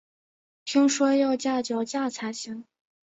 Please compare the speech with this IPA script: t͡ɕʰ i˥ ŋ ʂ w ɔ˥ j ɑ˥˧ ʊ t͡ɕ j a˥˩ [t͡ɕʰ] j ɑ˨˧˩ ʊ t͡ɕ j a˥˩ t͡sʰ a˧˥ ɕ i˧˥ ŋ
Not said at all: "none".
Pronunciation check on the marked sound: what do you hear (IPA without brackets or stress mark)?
t͡ɕ